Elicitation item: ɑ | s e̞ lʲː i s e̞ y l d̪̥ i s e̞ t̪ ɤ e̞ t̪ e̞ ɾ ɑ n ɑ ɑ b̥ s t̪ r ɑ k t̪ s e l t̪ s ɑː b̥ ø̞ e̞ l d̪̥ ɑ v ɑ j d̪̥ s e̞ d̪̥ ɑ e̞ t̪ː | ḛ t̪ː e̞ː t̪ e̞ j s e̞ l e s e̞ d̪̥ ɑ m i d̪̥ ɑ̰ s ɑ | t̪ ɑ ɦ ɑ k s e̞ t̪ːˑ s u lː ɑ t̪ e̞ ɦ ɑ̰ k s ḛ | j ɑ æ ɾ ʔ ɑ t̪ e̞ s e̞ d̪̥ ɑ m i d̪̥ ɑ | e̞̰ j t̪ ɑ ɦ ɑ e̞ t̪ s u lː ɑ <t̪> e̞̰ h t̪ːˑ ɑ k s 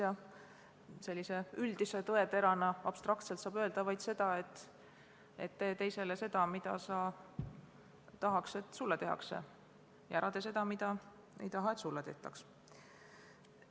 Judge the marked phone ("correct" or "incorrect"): correct